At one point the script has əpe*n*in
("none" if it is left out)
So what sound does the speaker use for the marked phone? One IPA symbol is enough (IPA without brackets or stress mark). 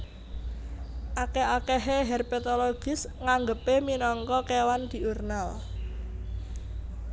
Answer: m